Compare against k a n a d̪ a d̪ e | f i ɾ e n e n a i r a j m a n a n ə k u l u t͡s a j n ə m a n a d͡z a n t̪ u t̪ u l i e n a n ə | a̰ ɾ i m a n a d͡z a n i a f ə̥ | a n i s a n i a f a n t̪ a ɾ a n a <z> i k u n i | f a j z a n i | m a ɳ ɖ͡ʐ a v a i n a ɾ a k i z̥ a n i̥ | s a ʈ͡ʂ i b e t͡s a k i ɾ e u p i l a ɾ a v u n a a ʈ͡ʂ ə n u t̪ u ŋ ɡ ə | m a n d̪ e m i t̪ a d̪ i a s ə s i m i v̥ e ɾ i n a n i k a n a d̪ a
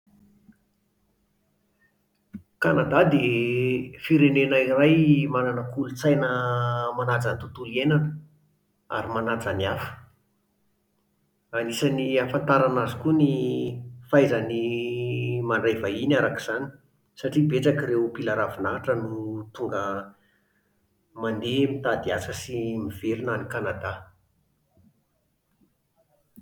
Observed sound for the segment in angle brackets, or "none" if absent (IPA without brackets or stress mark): z